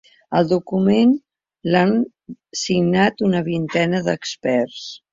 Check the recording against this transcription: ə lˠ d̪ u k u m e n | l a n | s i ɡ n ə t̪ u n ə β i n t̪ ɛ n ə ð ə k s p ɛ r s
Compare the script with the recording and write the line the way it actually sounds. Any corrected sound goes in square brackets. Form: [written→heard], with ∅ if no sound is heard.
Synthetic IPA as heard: ə lˠ d̪ u k u m e n | l a n | s i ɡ n [ə→a] t̪ u n ə β i n t̪ ɛ n ə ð ə k s p ɛ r s

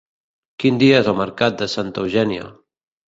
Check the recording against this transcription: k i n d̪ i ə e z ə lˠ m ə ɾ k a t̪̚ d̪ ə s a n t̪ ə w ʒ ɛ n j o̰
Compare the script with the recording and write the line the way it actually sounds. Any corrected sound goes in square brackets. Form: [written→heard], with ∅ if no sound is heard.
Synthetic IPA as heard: k i n d̪ i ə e z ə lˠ m ə ɾ k a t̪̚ d̪ ə s a n t̪ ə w ʒ ɛ n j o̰

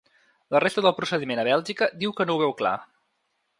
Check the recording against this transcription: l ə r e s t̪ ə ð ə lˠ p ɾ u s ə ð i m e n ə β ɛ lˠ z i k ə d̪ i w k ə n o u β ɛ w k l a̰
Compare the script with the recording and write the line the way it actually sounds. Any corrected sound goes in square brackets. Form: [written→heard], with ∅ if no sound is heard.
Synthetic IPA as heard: l ə r e s t̪ ə ð ə lˠ p ɾ u s ə ð i m e n ə β ɛ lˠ [z→ʒ] i k ə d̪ i w k ə n o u β ɛ w k l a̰

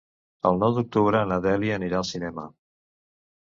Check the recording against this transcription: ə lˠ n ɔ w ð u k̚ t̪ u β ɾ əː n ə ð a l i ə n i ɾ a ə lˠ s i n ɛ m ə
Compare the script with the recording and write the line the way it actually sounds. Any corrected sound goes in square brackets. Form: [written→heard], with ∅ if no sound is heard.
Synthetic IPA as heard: ə lˠ n ɔ w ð u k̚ t̪ u β ɾ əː n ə ð [a→ɛ] l i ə n i ɾ a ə lˠ s i n ɛ m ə

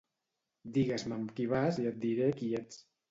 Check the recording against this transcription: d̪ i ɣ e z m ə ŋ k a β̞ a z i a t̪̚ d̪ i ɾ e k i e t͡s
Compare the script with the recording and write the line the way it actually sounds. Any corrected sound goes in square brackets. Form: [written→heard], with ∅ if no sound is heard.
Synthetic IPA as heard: d̪ i ɣ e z m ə [ŋ→m] k [a→i] β̞ a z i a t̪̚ d̪ i ɾ e k i e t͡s

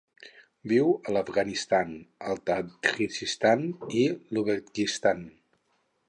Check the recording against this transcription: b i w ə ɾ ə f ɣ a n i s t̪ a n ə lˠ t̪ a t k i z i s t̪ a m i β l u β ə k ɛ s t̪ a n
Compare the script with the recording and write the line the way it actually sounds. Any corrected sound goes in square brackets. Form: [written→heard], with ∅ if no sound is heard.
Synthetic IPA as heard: b i w ə [ɾ→l] ə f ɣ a n i s t̪ a n ə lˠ t̪ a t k i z i s t̪ a [m→n] i [β→∅] l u β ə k [ɛ→i] s t̪ a n

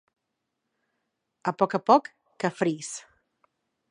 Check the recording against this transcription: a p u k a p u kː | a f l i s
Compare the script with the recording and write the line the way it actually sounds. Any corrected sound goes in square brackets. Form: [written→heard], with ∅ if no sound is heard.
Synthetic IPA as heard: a p [u→ɔ] k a p [u→ɔ] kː | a f [l→ɾ] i s

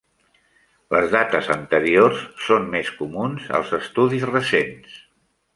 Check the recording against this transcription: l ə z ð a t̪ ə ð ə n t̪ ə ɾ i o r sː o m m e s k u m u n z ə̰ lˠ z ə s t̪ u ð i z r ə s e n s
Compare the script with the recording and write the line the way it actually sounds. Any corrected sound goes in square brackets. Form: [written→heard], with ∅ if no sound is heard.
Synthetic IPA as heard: l ə z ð a t̪ ə [ð→z] ə n t̪ ə ɾ i o r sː o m m e s k u m u n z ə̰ lˠ z ə s t̪ u ð i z r ə s e n s

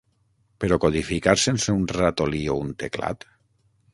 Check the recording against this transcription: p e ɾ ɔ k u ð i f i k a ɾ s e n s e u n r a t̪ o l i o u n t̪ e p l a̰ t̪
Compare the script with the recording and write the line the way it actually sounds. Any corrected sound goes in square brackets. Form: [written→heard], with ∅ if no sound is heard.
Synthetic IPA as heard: p e ɾ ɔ k [u→o] ð i f i k a ɾ s e n s e u n r a t̪ o l i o u n t̪ e [p→k] l a̰ t̪

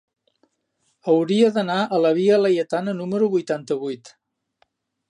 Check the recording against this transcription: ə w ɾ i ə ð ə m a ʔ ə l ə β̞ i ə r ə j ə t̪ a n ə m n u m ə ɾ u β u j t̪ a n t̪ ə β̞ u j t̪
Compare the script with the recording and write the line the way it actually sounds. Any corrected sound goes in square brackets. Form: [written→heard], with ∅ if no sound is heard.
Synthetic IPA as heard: ə w ɾ i ə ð ə [m→n] a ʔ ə l ə β̞ i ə [r→l] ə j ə t̪ a n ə [m→∅] n u m ə ɾ u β u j t̪ a n t̪ ə β̞ u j t̪

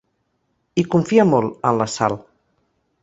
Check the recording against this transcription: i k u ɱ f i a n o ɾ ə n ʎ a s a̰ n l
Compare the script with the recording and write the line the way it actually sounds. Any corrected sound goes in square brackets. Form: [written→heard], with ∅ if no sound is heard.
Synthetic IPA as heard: i k u ɱ f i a [n→m] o [ɾ→l] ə n [ʎ→l] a s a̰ [n→∅] l

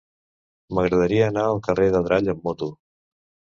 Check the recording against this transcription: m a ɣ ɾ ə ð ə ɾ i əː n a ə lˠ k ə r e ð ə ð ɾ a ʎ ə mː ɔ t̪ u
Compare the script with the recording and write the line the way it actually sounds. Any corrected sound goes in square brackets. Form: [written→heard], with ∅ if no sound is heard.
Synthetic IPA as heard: m [a→ə] ɣ ɾ ə ð ə ɾ i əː n a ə lˠ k ə r e ð ə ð ɾ a ʎ ə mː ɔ t̪ u

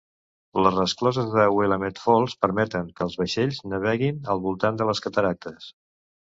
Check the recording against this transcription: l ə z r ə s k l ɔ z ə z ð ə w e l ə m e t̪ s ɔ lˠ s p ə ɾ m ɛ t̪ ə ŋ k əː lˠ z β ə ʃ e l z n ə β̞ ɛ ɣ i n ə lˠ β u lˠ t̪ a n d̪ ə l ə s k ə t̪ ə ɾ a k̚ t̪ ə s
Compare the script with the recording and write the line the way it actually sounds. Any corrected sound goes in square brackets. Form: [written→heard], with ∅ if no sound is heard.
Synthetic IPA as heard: l ə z r ə s k l ɔ z ə z ð ə w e l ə m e t̪ [s→f] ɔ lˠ s p ə ɾ m ɛ t̪ ə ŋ k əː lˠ z β ə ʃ e [l→ʎ] z n ə β̞ ɛ ɣ i n ə lˠ β u lˠ t̪ a n d̪ ə l ə s k ə t̪ ə ɾ a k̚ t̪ ə s

